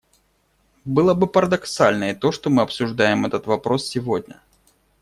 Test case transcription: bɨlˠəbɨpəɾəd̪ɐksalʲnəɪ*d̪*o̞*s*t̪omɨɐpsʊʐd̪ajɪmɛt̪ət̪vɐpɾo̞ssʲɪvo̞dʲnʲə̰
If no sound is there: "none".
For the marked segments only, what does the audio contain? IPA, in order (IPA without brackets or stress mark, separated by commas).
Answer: t̪, ʂ